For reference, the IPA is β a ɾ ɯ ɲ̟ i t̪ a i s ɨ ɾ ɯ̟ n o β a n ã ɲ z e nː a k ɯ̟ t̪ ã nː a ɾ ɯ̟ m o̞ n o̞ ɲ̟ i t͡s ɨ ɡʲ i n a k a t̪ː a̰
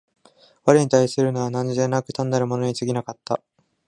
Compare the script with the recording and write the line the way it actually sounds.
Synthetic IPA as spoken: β a ɾ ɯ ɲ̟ i t̪ a i s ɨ ɾ ɯ̟ n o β a n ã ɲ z e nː a k ɯ̟ t̪ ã nː a ɾ ɯ̟ m o̞ n o̞ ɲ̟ i t͡s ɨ ɡʲ i n a k a t̪ː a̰